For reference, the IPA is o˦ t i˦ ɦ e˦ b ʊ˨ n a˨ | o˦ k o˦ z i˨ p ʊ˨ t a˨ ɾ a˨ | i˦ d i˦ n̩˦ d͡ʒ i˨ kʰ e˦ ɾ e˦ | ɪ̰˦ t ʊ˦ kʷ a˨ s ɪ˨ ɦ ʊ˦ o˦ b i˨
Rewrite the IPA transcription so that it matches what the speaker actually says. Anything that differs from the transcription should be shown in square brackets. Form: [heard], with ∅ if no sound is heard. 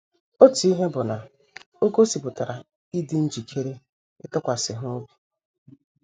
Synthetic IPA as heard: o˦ t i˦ ɦ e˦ b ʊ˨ n a˨ | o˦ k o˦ [s] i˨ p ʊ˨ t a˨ ɾ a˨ | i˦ d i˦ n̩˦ d͡ʒ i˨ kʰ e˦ ɾ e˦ | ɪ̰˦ t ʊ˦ kʷ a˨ s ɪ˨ ɦ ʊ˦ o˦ b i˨

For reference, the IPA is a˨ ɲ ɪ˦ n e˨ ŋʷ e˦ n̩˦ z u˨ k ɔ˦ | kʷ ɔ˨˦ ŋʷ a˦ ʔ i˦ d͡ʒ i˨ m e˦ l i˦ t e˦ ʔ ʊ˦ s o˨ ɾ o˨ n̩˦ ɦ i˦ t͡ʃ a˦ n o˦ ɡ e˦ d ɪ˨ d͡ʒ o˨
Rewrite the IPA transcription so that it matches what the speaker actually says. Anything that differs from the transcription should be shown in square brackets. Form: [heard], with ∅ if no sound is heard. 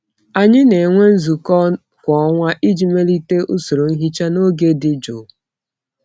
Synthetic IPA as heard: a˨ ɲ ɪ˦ n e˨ ŋʷ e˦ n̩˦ z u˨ k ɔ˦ | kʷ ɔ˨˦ ŋʷ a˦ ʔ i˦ d͡ʒ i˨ m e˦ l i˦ t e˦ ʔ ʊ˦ s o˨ ɾ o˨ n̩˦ ɦ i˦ t͡ʃ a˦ n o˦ ɡ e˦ d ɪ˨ d͡ʒ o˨

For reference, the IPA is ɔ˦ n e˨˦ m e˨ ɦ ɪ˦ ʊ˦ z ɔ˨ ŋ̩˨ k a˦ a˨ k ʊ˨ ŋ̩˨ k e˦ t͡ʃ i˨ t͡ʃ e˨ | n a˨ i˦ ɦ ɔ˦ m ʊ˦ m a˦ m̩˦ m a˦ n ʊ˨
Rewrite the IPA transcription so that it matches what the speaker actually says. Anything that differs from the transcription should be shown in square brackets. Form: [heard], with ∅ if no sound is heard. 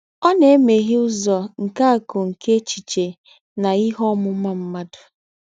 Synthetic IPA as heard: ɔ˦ n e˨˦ m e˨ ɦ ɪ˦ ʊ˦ z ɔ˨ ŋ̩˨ k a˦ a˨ k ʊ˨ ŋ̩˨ k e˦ t͡ʃ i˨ t͡ʃ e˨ | n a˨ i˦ ɦ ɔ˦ m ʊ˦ m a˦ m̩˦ m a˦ [d] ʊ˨

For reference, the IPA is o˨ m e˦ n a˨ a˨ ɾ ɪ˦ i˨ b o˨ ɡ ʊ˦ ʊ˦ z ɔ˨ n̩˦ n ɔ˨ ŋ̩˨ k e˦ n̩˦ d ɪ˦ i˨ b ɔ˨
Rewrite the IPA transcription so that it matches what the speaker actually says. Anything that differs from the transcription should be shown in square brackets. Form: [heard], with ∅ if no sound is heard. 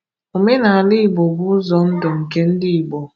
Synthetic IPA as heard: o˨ m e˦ n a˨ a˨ [l] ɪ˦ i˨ b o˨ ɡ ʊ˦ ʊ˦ z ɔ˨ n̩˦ [d] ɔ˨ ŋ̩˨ k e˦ n̩˦ d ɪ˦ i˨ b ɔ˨

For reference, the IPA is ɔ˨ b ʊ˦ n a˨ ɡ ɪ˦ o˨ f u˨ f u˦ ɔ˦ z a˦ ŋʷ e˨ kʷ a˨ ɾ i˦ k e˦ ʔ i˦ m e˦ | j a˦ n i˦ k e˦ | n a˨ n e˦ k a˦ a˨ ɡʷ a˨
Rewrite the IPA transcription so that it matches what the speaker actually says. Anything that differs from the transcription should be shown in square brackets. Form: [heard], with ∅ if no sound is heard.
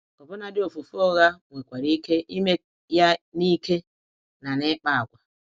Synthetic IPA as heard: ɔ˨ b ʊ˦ n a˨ [d] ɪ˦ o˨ f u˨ f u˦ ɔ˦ [ɣ] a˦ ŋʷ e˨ kʷ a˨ ɾ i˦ k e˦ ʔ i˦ m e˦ | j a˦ n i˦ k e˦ | n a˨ n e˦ [k͡p] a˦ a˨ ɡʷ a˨

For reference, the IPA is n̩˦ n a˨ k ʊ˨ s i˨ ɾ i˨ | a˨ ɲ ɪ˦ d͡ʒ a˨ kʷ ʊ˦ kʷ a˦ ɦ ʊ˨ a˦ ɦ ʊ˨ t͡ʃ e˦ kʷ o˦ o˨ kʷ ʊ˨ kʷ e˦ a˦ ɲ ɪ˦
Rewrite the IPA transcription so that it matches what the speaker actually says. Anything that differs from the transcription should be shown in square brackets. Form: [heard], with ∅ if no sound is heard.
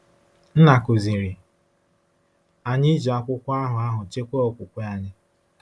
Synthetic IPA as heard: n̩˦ n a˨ k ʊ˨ [z] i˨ ɾ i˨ | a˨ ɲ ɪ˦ d͡ʒ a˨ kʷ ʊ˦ kʷ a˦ ɦ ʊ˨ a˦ ɦ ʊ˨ t͡ʃ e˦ kʷ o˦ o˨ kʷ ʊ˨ kʷ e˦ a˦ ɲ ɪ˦

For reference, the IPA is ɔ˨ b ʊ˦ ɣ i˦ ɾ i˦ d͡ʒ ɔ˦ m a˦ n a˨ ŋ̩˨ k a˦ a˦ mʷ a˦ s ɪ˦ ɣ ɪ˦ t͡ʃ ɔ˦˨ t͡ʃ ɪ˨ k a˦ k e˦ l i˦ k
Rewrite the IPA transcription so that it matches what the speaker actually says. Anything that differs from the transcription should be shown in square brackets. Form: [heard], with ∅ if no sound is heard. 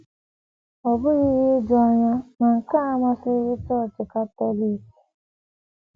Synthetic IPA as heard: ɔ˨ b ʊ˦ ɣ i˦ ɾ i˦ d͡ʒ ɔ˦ [ɲ] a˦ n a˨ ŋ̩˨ k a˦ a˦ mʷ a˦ s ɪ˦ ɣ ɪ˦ t͡ʃ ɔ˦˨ t͡ʃ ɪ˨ k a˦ [t] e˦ l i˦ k

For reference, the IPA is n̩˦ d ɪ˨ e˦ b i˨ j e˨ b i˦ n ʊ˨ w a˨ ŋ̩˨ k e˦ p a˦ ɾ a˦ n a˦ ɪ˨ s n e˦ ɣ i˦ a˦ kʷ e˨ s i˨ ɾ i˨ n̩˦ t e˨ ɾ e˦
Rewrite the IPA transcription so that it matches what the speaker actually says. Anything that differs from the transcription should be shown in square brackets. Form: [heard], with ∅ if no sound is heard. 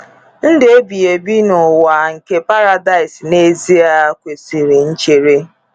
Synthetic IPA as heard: n̩˦ d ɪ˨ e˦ b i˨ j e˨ b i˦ n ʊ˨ w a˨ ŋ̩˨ k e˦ p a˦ ɾ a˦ [d] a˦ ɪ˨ s n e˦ [z] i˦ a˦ kʷ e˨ s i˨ ɾ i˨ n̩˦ [t͡ʃ] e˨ ɾ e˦

